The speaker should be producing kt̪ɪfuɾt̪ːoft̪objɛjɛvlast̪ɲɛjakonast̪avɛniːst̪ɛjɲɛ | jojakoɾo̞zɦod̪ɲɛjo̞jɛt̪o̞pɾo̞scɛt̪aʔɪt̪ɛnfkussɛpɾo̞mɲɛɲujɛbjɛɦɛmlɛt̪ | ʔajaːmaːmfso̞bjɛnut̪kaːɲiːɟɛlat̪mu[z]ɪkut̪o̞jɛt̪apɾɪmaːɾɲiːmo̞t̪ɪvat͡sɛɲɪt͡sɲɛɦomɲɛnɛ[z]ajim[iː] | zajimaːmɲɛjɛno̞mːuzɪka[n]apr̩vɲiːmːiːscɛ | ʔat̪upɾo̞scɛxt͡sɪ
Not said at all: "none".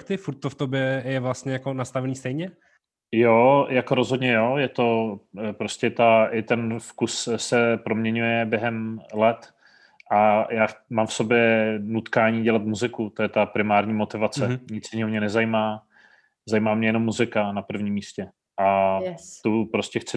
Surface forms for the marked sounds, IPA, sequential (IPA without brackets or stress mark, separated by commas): z, z, aː, n